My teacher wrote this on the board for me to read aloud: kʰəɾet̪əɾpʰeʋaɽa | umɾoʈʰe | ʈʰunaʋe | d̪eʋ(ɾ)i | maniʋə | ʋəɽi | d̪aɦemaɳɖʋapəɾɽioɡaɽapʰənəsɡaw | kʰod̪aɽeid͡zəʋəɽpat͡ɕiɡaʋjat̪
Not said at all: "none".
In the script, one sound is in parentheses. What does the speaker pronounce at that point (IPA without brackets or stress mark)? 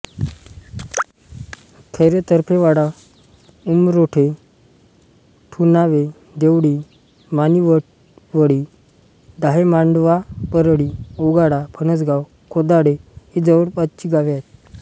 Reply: ɽ